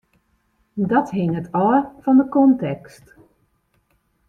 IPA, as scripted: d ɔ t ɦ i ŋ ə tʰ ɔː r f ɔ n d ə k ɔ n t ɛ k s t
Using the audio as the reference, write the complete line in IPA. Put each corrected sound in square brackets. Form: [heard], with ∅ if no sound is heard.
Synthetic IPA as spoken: d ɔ t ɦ [ɪ] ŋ ə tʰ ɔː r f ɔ n d ə k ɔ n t ɛ k s t